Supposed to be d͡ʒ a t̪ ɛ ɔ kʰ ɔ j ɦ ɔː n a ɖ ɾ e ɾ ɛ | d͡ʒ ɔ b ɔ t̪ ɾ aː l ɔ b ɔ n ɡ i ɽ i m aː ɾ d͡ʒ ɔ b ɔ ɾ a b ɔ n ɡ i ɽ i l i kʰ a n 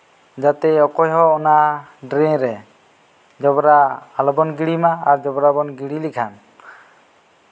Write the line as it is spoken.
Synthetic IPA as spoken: d͡ʒ a t̪ ɛ ɔ k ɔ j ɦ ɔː n a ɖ ɾ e ɾ ɛ | d͡ʒ ɔ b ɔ ɾ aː l ɔ b ɔ n ɡ i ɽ i m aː ɾ d͡ʒ ɔ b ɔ ɾ a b ɔ n ɡ i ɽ i l i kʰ a n